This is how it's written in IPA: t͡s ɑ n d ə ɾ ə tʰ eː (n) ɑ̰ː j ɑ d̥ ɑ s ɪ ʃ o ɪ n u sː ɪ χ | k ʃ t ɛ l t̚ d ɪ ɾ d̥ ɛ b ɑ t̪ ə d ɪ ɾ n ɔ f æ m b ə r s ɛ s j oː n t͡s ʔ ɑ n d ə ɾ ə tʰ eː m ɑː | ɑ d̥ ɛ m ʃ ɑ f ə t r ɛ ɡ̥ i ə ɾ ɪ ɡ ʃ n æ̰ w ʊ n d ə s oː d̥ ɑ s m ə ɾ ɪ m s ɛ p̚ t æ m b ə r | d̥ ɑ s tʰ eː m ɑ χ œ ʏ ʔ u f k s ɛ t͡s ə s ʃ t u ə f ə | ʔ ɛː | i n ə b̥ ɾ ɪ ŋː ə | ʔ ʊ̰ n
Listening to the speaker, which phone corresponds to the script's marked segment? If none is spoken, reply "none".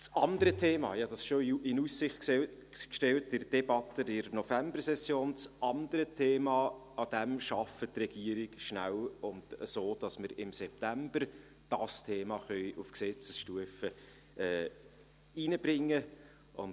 m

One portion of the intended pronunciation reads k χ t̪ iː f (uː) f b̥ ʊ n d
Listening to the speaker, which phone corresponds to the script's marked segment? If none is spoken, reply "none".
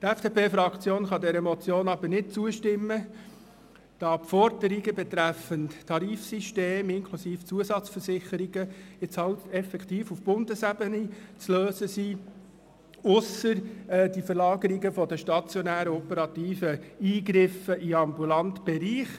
u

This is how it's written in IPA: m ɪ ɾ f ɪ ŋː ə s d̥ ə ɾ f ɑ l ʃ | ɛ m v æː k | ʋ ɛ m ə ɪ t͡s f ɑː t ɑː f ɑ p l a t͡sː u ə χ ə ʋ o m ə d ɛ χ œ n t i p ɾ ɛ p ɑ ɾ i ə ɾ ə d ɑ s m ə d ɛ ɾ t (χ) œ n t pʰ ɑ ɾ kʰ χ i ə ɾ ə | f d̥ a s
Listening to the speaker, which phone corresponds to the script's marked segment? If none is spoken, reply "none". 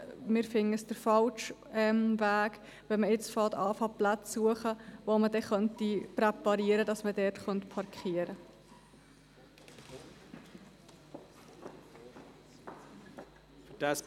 χ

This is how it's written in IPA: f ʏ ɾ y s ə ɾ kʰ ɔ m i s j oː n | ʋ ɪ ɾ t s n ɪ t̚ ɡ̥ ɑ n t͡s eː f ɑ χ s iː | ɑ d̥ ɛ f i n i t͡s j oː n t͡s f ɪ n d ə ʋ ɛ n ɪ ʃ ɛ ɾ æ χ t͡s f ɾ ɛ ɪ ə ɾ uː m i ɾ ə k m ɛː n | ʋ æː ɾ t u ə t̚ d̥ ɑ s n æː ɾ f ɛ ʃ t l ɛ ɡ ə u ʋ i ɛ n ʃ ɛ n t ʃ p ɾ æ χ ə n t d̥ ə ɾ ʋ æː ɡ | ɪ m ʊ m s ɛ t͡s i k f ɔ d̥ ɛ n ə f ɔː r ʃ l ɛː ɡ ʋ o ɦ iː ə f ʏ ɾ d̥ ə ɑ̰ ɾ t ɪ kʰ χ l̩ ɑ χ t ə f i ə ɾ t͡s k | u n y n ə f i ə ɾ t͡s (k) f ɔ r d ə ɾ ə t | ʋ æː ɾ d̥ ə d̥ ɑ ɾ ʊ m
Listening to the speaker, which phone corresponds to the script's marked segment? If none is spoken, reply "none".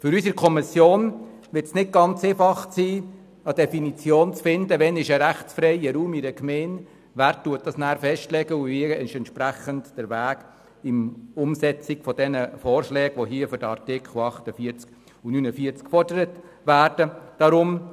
k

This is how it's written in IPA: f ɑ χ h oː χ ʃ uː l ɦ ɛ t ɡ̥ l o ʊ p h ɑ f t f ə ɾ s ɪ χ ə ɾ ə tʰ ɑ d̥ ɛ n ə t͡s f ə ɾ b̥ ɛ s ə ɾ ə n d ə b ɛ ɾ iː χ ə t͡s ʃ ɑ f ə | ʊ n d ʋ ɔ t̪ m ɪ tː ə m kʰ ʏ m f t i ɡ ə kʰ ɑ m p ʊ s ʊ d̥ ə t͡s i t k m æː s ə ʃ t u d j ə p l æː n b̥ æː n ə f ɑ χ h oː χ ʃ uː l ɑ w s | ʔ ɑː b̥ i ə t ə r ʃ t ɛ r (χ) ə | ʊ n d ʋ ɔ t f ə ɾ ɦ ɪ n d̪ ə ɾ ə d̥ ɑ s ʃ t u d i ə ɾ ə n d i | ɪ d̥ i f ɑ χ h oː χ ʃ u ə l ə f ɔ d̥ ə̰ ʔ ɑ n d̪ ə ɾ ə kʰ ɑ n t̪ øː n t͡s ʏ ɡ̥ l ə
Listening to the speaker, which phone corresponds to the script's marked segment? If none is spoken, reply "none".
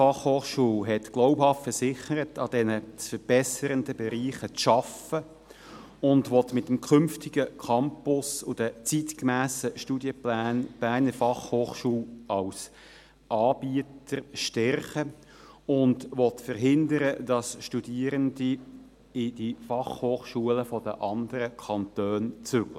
χ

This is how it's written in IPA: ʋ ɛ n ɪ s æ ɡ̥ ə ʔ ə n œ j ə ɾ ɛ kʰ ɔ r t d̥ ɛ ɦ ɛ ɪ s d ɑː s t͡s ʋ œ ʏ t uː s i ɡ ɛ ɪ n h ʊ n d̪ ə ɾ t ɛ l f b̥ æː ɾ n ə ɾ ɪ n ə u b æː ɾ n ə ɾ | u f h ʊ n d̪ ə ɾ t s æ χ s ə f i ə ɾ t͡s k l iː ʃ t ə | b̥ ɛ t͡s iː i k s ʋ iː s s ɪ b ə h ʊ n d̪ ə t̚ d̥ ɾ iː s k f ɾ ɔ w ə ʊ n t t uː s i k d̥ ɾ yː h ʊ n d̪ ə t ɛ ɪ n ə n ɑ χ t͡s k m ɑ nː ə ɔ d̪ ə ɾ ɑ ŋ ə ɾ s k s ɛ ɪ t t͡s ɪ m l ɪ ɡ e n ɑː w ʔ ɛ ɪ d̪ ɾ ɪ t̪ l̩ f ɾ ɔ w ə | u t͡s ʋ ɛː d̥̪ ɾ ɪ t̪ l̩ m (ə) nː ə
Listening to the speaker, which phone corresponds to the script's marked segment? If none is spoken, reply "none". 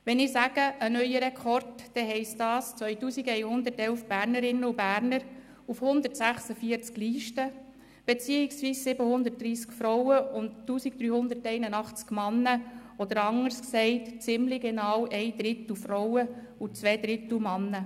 ɑ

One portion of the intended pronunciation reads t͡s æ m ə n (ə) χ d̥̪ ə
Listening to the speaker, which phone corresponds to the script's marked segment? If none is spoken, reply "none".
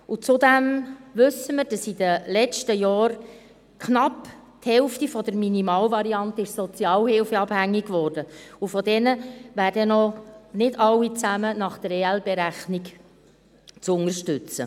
ɑ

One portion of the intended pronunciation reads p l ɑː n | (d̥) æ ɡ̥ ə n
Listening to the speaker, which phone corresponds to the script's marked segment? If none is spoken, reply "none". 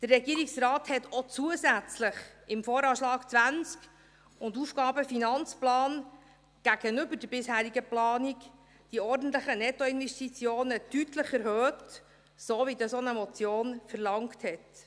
ɡ̥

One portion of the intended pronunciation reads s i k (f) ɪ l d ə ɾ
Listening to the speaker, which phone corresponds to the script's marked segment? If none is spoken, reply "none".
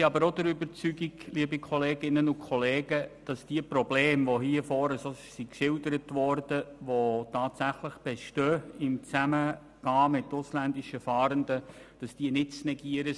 ʃ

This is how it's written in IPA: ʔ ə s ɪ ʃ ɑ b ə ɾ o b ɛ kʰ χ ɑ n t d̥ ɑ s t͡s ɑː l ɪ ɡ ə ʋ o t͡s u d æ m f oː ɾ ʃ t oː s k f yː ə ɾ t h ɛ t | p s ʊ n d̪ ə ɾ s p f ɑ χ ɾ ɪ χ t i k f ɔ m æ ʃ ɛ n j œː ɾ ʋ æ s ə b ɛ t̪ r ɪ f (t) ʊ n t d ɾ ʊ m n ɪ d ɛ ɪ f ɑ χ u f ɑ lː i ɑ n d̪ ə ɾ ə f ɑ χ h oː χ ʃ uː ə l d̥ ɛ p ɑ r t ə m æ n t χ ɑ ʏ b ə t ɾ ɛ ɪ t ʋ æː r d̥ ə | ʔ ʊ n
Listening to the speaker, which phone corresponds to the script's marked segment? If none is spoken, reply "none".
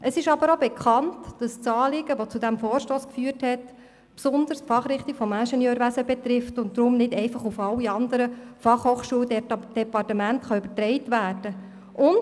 t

